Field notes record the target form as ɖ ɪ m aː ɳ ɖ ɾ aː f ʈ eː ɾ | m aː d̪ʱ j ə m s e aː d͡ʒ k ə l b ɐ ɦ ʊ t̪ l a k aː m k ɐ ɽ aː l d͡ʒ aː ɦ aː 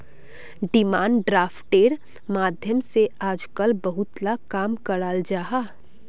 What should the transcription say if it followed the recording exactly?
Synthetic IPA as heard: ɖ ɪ m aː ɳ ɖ ɾ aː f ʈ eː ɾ | m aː d̪ʱ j ə m s e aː d͡ʒ k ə l b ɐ ɦ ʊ t̪ l a k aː m k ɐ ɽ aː l d͡ʒ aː ɦ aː

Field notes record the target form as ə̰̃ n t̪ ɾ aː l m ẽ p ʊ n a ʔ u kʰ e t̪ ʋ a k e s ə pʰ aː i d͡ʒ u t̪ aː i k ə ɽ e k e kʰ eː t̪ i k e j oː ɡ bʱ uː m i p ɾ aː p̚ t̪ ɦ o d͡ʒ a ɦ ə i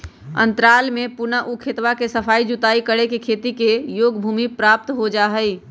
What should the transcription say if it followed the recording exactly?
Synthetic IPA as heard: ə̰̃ n t̪ ɾ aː l m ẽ p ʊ n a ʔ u kʰ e t̪ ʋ a k e s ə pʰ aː i d͡ʒ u t̪ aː i k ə ɽ e k e kʰ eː t̪ i k e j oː ɡ bʱ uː m i p ɾ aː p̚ t̪ ɦ o d͡ʒ a ɦ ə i

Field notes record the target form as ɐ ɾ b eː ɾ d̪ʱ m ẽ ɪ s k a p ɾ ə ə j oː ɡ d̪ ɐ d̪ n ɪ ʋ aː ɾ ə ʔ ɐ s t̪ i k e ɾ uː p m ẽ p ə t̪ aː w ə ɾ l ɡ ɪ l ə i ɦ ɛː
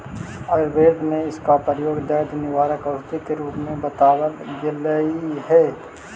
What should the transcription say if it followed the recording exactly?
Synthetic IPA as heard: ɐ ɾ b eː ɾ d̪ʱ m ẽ ɪ s k a p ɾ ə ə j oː ɡ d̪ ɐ d̪ n ɪ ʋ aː ɾ ə k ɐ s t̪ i k e ɾ uː p m ẽ b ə t̪ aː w ə l ɡ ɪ l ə i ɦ ɛː

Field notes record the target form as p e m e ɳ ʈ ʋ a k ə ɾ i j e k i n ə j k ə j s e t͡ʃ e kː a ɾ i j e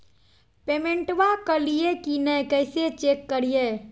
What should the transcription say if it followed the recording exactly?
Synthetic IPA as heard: p e m e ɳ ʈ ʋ a k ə l i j e k i n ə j k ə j s e t͡ʃ e kː ə ɾ i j e

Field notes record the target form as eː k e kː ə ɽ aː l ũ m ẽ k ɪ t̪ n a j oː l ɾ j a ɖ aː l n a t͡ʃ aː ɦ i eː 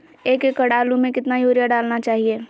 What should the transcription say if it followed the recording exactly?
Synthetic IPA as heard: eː k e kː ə ɽ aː l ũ m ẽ k ɪ t̪ n a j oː ɾ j a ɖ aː l n a t͡ʃ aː ɦ i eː

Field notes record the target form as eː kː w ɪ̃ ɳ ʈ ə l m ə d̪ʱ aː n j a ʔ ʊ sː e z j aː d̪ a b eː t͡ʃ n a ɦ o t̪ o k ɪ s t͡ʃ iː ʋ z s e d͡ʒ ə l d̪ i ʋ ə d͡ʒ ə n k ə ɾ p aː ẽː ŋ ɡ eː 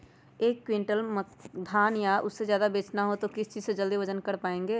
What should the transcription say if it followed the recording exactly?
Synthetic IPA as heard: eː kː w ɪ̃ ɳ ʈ ə l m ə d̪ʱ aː n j a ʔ ʊ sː e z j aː d̪ a b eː t͡ʃ n a ɦ o t̪ o k ɪ s t͡ʃ iː z s e d͡ʒ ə l d̪ i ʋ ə d͡ʒ ə n k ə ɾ p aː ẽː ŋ ɡ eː

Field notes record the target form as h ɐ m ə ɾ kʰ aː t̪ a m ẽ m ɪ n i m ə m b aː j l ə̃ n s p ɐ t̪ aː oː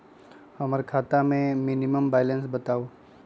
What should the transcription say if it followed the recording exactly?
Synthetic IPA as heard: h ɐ m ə ɾ kʰ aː t̪ a m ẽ m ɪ n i m ə m b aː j l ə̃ n s b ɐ t̪ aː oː

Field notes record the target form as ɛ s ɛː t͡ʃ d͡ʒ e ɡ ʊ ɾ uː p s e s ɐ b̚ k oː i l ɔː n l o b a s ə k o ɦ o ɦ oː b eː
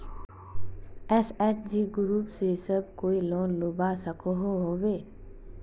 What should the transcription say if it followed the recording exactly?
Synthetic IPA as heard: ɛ s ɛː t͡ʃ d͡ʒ i ɡ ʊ ɾ uː p s e s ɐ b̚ k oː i l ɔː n l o b a s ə k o ɦ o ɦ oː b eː

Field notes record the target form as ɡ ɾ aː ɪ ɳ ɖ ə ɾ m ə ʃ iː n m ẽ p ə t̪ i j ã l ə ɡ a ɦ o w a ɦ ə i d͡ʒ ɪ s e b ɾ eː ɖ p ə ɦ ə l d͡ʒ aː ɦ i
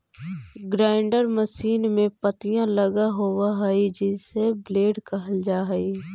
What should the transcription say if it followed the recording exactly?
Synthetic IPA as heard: ɡ ɾ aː ɪ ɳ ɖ ə ɾ m ə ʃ iː n m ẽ p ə t̪ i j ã l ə ɡ a ɦ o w a ɦ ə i d͡ʒ ɪ s e b l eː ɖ k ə ɦ ə l d͡ʒ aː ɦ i

